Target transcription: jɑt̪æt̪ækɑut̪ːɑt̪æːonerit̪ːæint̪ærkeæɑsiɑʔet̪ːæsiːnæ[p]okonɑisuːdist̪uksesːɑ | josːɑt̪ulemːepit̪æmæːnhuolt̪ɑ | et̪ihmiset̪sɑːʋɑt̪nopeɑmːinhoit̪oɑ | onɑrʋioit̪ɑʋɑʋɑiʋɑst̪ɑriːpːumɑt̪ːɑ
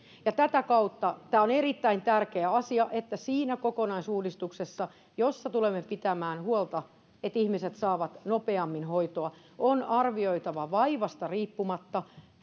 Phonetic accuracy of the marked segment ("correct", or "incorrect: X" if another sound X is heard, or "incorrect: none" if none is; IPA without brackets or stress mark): incorrect: k